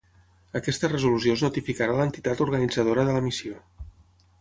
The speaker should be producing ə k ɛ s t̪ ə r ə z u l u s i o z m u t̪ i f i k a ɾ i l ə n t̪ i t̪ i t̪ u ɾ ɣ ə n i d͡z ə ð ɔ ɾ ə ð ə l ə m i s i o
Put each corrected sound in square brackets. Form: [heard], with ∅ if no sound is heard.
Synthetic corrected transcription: ə k ɛ s t̪ ə r ə z u l u s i o z [n] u t̪ i f i k a ɾ [a] l ə n t̪ i t̪ [a] t̪ u ɾ ɣ ə n i d͡z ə ð [o] ɾ ə ð ə l ə m i s i o